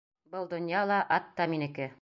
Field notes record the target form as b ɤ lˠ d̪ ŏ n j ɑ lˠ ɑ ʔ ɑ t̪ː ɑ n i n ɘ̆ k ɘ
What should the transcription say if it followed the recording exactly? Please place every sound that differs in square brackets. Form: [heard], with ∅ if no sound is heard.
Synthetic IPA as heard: b ɤ lˠ d̪ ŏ n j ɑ lˠ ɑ ʔ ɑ t̪ː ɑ [m] i n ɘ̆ k ɘ